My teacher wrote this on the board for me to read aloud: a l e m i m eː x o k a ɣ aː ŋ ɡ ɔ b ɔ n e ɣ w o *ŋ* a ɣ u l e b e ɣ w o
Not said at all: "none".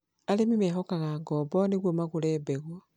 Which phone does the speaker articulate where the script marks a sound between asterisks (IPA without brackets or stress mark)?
m